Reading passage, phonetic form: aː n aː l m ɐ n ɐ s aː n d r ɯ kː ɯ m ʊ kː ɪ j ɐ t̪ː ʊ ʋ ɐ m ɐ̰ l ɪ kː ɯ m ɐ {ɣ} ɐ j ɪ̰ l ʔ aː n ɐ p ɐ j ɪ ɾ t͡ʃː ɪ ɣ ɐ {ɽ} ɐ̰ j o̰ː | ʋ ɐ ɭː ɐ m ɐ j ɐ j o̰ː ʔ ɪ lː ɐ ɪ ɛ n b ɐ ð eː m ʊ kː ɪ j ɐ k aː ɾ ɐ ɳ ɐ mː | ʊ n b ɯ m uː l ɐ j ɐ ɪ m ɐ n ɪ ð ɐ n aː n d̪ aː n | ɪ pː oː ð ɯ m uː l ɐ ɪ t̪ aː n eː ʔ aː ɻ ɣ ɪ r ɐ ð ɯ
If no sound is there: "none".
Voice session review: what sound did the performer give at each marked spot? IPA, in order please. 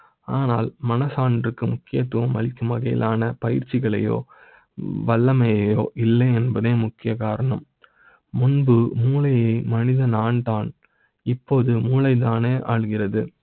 ɣ, ɭ

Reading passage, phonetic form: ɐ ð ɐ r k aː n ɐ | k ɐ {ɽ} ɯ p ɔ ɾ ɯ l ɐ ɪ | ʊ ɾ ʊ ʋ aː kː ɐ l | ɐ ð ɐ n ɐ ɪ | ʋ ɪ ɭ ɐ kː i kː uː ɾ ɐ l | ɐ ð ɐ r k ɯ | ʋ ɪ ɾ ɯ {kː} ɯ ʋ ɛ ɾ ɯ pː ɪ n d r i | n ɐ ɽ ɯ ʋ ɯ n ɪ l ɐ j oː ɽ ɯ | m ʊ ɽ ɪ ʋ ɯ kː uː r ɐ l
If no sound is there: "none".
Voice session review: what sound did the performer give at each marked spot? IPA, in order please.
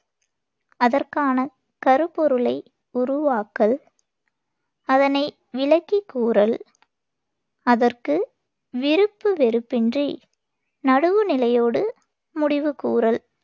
ɾ, pː

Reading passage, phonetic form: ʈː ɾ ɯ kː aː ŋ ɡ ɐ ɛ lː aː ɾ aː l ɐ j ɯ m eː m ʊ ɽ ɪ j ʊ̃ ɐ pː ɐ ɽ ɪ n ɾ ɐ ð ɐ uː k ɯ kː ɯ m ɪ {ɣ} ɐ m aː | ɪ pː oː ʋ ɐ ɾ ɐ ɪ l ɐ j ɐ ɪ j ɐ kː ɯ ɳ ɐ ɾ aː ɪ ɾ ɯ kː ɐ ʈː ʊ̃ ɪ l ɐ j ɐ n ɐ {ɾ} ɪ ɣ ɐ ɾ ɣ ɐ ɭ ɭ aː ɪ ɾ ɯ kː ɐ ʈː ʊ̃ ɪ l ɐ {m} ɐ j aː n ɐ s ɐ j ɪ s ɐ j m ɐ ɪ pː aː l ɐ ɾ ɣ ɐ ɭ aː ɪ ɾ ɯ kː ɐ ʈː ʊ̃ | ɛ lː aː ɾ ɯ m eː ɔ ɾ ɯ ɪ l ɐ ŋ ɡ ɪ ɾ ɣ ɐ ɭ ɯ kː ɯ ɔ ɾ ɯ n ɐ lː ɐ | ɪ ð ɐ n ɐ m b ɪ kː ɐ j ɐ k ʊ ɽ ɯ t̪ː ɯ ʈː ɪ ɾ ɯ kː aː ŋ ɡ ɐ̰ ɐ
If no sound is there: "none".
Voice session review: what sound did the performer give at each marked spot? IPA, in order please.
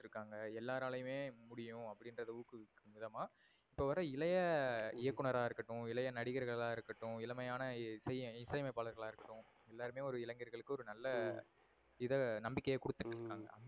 ð, ɽ, m

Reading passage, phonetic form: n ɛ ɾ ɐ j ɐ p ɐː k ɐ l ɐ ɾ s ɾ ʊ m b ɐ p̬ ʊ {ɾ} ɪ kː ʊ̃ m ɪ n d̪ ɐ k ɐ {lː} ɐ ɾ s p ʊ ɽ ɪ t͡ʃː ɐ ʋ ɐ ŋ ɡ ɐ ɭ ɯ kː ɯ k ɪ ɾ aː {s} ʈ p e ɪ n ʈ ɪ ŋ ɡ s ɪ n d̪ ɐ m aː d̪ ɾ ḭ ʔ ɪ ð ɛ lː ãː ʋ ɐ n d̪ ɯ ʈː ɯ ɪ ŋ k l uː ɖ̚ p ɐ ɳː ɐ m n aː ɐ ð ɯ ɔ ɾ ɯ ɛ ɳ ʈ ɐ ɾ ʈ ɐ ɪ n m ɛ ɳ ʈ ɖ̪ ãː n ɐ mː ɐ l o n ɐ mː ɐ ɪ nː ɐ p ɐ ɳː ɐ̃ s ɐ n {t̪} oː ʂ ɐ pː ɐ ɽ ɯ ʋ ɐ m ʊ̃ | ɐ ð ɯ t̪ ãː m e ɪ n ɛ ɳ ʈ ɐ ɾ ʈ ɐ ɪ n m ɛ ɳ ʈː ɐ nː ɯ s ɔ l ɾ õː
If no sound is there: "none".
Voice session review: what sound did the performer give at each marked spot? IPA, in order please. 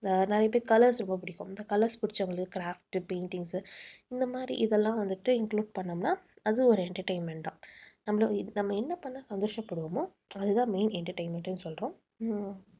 ɽ, l, f, d̪

